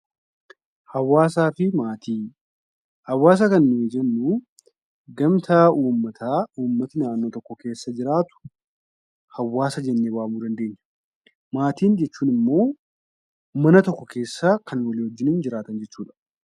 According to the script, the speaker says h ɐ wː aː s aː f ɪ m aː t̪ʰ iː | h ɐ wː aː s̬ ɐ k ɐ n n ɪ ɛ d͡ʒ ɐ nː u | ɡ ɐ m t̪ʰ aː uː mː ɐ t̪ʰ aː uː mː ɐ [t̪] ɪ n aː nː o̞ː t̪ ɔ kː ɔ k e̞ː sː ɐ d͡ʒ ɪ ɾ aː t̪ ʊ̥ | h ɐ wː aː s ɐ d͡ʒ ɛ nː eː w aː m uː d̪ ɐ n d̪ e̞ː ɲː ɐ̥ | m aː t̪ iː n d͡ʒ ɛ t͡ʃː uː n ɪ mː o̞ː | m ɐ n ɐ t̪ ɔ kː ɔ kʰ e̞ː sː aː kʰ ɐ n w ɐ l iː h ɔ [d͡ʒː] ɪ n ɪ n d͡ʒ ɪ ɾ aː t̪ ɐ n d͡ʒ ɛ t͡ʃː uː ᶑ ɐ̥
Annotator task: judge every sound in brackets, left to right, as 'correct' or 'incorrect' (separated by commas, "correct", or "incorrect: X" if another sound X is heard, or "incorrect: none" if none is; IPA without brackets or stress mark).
correct, correct